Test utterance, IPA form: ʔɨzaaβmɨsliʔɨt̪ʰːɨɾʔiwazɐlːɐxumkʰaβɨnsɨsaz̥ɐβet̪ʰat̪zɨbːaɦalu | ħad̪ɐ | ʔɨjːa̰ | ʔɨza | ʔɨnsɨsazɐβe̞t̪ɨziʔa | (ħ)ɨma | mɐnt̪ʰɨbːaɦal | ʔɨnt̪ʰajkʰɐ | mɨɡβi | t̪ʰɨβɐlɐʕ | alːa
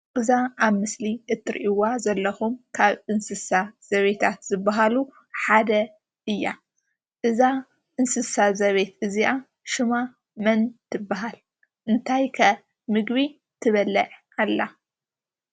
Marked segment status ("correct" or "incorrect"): incorrect